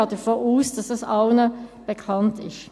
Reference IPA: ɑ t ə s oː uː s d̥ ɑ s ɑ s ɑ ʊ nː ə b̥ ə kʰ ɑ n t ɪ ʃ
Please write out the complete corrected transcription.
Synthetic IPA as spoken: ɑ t ə f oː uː s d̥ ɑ s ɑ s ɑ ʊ n ə b̥ ə kʰ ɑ n t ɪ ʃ